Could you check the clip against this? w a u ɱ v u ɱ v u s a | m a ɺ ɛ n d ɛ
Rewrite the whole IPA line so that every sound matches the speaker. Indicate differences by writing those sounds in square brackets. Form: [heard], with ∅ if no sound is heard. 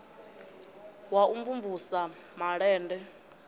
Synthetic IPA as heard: w a u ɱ v u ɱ v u s a | m a ɺ [ɛː] n d ɛ